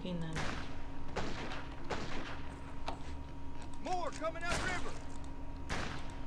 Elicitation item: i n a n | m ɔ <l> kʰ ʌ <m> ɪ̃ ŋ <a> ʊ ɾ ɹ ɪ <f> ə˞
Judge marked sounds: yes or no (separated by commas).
no, yes, yes, no